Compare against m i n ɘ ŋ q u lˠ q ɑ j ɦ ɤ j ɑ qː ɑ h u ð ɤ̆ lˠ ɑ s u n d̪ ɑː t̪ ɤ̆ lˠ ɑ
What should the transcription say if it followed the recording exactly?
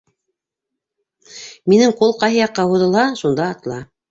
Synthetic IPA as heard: m i n ɘ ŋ q u lˠ q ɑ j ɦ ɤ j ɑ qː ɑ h u ð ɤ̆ lˠ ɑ ʃ u n d̪ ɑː t̪ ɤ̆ lˠ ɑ